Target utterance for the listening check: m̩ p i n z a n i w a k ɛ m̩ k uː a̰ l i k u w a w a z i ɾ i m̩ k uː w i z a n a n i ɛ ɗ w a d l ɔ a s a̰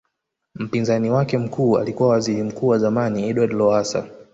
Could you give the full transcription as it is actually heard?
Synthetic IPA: m̩ p i n z a n i w a k ɛ m̩ k uː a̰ l i k u w a w a z i ɾ i m̩ k uː w a z a m a n i ɛ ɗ w a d l ɔ a s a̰